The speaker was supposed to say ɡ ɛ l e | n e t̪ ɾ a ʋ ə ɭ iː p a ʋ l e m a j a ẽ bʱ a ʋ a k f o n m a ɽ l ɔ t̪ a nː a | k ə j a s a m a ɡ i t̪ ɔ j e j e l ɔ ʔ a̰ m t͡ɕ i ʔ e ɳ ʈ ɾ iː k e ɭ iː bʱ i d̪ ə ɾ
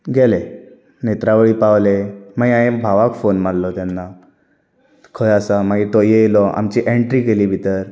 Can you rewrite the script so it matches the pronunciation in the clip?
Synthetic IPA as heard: ɡ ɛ l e | n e t̪ ɾ a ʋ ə ɭ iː p a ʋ l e m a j a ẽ bʱ a ʋ a k f o n m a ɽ l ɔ t̪ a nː a | kʰ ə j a s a m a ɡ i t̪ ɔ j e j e l ɔ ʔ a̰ m t͡ɕ i ʔ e ɳ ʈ ɾ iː k e l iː bʱ i t̪ ə ɾ